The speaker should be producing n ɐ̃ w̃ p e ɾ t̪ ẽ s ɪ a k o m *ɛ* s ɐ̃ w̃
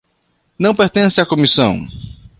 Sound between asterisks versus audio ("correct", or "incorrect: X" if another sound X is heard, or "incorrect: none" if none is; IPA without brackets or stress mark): incorrect: i